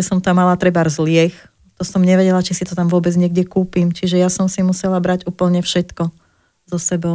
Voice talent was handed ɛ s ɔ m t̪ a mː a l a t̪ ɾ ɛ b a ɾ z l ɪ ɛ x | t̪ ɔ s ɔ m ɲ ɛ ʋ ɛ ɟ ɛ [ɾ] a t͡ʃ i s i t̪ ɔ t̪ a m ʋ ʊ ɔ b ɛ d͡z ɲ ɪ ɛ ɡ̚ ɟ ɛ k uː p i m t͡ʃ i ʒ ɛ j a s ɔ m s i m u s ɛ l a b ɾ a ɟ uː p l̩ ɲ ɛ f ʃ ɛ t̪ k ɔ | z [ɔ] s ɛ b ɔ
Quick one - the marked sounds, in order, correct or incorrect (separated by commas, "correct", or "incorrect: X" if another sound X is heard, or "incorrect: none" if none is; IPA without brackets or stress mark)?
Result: incorrect: l, correct